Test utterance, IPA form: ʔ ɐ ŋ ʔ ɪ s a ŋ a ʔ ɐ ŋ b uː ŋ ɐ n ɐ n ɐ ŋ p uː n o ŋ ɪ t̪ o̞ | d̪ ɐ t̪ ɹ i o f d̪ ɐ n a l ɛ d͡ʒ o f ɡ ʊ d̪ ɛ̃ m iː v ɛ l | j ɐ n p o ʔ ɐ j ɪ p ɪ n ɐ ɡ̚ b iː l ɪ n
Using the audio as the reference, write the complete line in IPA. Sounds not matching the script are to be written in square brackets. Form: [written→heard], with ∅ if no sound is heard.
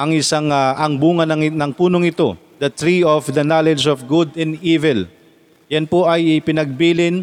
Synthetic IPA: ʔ ɐ ŋ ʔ ɪ s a ŋ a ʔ ɐ ŋ b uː ŋ ɐ n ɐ n ɐ ŋ p uː n o ŋ ɪ t̪ o̞ | d̪ ɐ t̪ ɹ i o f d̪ ɐ n a l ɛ d͡ʒ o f ɡ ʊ d̪ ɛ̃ [m→n] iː v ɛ l | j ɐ n p o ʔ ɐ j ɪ p ɪ n ɐ ɡ̚ b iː l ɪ n